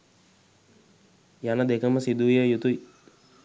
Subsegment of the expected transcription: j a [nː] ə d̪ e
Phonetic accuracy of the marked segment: incorrect: n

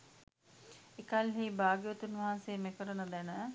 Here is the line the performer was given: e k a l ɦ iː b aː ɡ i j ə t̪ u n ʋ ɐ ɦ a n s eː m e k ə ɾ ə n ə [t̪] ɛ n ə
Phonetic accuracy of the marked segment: incorrect: d̪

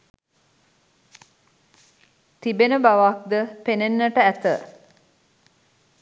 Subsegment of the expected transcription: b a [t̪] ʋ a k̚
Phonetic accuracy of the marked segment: incorrect: none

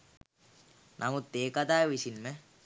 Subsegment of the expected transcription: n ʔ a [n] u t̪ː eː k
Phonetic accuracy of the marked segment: incorrect: m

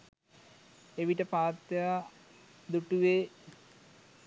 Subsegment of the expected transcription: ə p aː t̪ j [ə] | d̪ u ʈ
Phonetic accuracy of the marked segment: incorrect: a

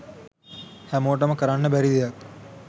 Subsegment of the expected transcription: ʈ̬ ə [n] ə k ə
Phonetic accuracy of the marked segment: incorrect: m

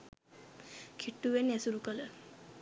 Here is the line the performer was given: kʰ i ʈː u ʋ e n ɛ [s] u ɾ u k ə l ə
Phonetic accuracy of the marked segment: correct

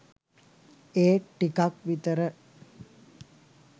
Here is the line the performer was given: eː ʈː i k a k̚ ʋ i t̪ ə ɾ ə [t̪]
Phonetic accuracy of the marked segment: incorrect: none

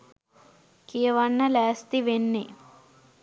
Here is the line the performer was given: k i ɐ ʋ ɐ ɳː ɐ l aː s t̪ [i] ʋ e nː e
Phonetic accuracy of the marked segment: correct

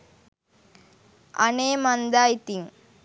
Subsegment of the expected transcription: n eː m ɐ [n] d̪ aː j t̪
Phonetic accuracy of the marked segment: correct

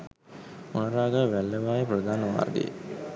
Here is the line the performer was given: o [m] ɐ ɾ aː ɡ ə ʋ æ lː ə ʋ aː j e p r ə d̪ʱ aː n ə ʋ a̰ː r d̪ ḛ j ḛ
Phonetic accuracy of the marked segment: incorrect: n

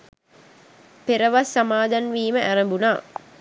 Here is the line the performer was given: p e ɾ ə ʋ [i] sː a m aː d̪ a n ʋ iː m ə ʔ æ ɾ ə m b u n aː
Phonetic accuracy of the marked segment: incorrect: a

